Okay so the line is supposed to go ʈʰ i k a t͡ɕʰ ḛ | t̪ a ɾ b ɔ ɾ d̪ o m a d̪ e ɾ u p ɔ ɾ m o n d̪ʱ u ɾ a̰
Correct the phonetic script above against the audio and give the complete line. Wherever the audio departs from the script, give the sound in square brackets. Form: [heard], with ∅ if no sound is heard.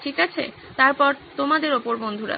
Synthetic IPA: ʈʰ i k a t͡ɕʰ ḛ | t̪ a ɾ [p] ɔ ɾ [t̪] o m a d̪ e ɾ [o] p [o] ɾ [b] o n d̪ʱ u ɾ a̰